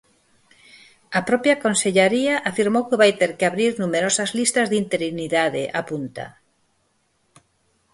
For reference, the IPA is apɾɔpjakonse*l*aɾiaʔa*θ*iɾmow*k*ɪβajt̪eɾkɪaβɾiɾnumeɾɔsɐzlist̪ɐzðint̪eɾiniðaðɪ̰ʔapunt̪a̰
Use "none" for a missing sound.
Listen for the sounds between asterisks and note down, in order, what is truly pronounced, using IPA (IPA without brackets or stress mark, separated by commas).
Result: ʎ, f, k